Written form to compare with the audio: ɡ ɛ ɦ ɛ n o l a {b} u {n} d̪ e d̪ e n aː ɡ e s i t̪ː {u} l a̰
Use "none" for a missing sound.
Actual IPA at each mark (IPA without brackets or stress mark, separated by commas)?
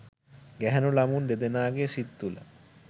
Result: m, n, u